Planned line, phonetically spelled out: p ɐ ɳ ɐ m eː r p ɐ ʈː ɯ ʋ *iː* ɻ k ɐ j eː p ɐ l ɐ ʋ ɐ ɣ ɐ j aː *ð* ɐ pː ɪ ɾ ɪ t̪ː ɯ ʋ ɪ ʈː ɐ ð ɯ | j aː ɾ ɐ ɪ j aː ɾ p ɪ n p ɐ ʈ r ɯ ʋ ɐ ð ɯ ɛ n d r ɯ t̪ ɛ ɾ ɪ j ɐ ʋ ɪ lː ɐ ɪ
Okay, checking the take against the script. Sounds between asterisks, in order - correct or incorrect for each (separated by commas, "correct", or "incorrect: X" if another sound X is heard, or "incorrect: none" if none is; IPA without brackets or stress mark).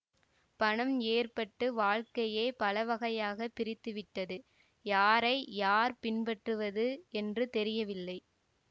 incorrect: aː, incorrect: ɣ